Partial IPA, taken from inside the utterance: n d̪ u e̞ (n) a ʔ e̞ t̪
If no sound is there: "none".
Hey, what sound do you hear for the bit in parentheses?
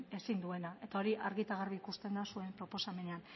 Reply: n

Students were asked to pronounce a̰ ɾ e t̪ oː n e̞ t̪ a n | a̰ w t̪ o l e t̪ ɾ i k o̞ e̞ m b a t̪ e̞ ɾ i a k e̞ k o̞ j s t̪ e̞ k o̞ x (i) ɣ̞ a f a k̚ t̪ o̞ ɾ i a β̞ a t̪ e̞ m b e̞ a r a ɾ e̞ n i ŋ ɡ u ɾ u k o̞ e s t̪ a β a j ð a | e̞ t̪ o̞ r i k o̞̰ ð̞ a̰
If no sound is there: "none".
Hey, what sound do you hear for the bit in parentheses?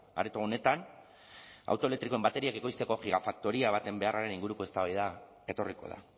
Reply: i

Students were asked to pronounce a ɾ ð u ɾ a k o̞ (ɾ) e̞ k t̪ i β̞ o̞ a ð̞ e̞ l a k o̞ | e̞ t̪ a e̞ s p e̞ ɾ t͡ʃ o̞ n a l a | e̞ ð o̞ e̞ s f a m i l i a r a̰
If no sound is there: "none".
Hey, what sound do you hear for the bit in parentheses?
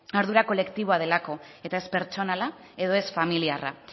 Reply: l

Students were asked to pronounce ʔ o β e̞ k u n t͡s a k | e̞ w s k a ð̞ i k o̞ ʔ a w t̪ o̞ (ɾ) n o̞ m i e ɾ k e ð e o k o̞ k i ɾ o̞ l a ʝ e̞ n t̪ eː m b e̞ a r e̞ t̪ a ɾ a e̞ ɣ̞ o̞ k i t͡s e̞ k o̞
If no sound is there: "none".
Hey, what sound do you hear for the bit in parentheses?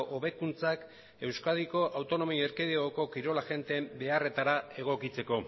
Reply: none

